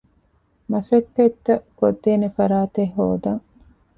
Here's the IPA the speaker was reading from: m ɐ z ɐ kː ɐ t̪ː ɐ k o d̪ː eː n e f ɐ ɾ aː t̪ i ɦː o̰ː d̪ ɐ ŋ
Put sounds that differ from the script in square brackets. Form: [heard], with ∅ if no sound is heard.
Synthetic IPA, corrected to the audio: m ɐ [s] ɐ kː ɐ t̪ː ɐ k o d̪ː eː n e f ɐ ɾ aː t̪ [e] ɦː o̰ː d̪ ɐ ŋ